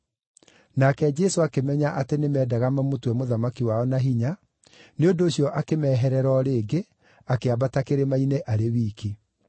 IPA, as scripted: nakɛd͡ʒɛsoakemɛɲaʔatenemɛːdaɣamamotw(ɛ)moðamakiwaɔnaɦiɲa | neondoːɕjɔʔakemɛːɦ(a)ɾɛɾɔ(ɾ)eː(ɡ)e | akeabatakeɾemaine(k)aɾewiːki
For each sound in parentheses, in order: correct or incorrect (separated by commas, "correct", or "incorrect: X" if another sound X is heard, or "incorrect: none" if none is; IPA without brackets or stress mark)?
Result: correct, incorrect: ɛ, correct, correct, incorrect: ʔ